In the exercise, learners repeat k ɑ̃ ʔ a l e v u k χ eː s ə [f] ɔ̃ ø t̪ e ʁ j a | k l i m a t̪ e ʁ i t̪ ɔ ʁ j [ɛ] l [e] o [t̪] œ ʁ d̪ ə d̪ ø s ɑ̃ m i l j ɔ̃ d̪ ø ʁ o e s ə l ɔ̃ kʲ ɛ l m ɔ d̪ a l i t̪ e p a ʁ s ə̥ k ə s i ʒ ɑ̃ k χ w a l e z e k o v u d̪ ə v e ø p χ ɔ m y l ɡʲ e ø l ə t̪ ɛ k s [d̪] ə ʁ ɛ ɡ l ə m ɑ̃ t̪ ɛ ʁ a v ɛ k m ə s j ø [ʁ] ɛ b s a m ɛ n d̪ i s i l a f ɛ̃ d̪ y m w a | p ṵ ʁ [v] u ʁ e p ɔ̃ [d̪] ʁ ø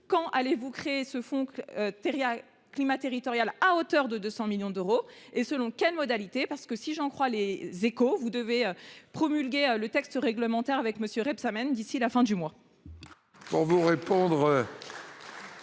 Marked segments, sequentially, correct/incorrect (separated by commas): correct, incorrect, incorrect, correct, incorrect, correct, correct, correct